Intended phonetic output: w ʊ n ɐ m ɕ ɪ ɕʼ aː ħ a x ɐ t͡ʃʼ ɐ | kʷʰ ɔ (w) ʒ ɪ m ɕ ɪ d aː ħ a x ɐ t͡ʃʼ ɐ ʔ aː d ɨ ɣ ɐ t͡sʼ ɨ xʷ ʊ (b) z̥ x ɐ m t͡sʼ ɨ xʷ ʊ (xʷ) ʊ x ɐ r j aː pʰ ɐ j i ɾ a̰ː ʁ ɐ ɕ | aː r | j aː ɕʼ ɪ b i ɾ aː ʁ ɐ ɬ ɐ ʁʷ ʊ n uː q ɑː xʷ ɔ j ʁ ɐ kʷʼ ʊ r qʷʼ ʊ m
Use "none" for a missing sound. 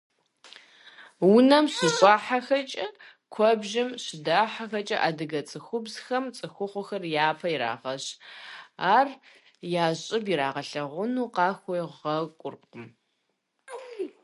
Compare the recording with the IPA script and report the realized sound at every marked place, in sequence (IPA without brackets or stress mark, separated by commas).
b, b, χʷ